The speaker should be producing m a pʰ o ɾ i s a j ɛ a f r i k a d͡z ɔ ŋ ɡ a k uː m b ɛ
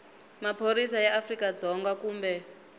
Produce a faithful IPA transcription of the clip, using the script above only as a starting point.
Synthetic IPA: m a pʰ o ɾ i s a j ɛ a f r i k a d͡z ɔ ŋ ɡ a k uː m b ɛ